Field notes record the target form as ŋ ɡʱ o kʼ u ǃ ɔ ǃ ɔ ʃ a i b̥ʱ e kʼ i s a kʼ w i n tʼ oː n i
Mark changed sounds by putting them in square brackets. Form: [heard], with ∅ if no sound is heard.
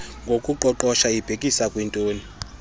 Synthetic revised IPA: ŋ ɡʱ o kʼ u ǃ ɔ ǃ ɔ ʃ a i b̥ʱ e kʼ i s a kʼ w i n tʼ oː n i